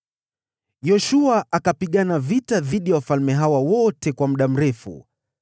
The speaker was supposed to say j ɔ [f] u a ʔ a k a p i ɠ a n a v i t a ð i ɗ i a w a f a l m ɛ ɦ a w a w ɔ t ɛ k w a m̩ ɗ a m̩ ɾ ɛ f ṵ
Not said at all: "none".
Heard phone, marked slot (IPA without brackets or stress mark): ʃ